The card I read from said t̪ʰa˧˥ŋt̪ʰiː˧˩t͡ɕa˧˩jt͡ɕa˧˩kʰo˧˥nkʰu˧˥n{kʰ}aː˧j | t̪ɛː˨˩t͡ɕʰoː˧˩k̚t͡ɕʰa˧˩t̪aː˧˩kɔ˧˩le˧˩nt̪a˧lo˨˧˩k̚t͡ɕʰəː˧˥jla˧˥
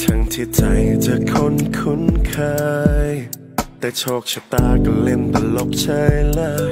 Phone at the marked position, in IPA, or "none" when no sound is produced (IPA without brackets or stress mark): kʰ